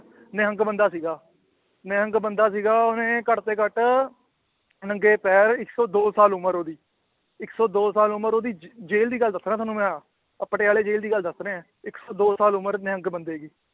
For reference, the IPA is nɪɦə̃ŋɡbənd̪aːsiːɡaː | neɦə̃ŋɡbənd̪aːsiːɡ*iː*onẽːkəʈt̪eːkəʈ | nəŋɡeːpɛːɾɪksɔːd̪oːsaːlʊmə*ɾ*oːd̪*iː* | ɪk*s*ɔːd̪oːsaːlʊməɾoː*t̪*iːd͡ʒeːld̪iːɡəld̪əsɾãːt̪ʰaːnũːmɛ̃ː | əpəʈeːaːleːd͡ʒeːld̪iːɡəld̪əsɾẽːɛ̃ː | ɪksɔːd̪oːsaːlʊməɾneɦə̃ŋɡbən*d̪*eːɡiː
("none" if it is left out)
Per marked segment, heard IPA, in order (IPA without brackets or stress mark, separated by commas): aː, ɾ, iː, s, d̪, d̪